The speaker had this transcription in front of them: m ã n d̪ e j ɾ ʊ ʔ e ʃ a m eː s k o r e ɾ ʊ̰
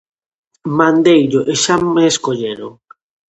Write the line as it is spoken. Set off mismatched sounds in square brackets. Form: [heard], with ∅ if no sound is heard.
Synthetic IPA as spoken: m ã n d̪ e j [ʎ] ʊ ʔ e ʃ a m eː s k o [ʎ] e ɾ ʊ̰